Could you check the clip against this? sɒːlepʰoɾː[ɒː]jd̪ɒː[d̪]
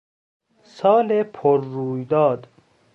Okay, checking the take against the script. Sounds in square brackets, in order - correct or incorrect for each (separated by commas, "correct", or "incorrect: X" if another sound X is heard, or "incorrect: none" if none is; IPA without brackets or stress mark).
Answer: incorrect: uː, correct